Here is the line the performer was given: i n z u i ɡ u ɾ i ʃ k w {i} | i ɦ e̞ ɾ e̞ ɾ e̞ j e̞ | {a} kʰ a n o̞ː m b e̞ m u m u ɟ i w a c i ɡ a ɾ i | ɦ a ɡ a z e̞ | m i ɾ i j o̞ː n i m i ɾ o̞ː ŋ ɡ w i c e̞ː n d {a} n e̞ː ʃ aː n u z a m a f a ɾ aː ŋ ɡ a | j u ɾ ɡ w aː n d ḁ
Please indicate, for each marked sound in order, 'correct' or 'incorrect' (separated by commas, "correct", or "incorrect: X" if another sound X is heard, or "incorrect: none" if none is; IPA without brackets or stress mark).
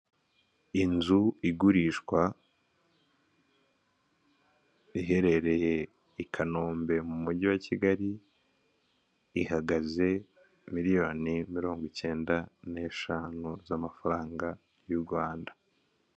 incorrect: a, incorrect: i, correct